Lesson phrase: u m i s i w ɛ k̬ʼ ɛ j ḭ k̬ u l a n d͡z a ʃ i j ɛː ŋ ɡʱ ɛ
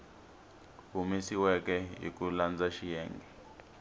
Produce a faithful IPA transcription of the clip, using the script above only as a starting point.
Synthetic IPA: u m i s i w ɛ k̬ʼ ɛ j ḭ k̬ u l a n d͡z a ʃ i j ɛː ŋ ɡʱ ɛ